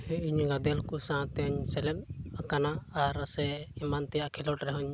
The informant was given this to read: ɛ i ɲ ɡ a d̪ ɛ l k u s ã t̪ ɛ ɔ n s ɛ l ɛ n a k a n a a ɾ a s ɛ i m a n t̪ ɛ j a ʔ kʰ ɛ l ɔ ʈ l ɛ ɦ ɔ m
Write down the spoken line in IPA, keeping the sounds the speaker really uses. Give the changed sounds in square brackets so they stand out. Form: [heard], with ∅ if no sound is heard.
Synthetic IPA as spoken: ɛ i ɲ ɡ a d̪ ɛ l k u s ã t̪ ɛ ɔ [ɲ] s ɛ l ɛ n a k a n a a ɾ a s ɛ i m a n t̪ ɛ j a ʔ kʰ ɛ l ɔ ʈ [ɾ] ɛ ɦ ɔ [ɲ]